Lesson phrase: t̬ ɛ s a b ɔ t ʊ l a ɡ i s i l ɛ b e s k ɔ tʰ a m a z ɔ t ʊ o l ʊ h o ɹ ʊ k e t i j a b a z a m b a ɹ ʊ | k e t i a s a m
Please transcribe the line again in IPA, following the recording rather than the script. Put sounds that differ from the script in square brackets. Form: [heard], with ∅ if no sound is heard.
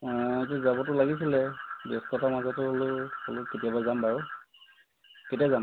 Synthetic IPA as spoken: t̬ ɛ [z] a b ɔ t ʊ l a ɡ i s i l ɛ b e s k ɔ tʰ a m a z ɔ t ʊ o l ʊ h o [l] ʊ k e t i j a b a z a m b a ɹ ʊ | k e t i a [z] a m